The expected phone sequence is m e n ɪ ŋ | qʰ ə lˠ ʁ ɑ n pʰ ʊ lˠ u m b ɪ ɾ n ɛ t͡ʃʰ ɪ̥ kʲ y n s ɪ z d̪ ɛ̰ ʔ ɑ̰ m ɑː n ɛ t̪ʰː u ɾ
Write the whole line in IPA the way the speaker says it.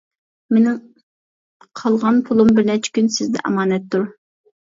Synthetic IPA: m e n ɪ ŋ | qʰ ɑ lˠ ʁ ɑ n pʰ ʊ lˠ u m b ɪ ɾ n ɛ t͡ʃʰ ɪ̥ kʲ y n s ɪ z d̪ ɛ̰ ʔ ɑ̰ m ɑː n ɛ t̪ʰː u ɾ